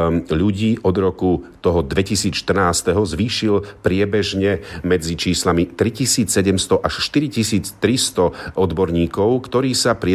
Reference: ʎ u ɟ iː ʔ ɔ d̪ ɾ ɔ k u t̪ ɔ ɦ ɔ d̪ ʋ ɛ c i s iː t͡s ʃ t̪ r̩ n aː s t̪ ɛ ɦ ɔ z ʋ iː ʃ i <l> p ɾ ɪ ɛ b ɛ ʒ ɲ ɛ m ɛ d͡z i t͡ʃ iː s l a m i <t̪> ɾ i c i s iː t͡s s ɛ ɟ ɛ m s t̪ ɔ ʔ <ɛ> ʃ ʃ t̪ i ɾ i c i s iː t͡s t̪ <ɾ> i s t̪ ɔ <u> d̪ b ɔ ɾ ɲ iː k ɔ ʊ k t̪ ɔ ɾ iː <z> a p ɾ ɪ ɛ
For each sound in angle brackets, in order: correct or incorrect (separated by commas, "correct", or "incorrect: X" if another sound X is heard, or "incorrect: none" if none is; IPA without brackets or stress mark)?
correct, correct, incorrect: a, correct, incorrect: ɔ, incorrect: s